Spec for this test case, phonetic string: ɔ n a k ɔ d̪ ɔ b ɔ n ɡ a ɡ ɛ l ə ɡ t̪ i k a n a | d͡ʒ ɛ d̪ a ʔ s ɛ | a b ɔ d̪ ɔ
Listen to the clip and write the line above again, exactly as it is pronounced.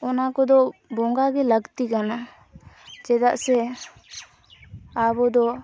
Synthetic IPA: ɔ n a k ɔ d̪ ɔ b ɔ ŋ ɡ a ɡ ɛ l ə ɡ t̪ i k a n a | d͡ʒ ɛ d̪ a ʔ s ɛ | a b ɔ d̪ ɔ

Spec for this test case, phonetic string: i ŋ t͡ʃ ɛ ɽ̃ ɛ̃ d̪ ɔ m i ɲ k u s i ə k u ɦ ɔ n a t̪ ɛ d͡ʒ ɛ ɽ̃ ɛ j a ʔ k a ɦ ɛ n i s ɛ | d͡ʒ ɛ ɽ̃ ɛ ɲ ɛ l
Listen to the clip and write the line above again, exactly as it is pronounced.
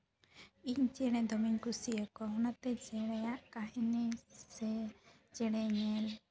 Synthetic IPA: i ɲ t͡ʃ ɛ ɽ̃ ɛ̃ d̪ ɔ m i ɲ k u s i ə k ɔ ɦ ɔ n a t̪ ɛ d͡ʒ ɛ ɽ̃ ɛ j a ʔ k a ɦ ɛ n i s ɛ | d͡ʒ ɛ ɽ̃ ɛ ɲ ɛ l

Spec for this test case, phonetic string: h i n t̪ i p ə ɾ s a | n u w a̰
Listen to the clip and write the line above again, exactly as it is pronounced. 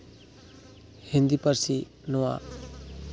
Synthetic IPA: h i n d̪ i p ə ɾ s i | n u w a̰

